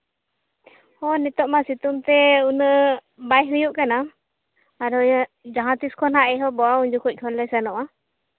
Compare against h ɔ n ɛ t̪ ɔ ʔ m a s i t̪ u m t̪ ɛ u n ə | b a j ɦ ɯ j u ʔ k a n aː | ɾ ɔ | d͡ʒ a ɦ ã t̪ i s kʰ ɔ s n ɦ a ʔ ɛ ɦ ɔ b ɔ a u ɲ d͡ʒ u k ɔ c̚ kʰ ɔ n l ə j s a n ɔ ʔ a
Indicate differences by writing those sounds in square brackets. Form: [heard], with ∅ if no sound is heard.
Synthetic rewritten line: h ɔ n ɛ t̪ ɔ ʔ m a s i t̪ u m t̪ ɛ u n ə | b a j ɦ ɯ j u ʔ k a n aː | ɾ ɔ | d͡ʒ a ɦ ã t̪ i s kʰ ɔ [∅] n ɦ a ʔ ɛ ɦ ɔ b ɔ a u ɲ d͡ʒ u k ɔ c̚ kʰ ɔ n l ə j s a n ɔ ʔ a